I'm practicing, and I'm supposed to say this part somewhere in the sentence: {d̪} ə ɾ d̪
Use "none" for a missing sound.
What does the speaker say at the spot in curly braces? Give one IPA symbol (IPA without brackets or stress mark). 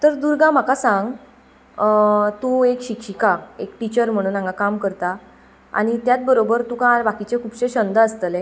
t̪